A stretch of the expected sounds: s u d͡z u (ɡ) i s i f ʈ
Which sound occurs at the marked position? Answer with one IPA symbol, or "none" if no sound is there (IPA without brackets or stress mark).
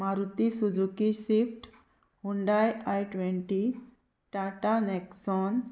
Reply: k